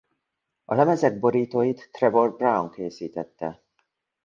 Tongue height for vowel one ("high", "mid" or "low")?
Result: low